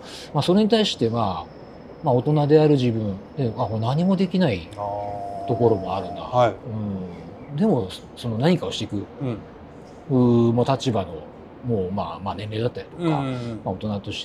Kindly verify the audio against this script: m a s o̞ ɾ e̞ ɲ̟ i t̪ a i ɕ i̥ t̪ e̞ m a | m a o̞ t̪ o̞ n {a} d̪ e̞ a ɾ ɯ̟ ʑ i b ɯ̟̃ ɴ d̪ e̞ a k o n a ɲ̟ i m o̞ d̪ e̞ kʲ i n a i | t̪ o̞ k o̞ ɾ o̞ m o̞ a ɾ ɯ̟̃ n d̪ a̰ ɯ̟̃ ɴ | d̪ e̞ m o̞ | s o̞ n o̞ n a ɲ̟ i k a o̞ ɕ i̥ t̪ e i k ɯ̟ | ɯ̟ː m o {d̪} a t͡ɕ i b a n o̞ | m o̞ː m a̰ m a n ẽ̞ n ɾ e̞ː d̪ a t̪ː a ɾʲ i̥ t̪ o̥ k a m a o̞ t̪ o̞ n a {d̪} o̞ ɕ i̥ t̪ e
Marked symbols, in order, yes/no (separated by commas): yes, no, no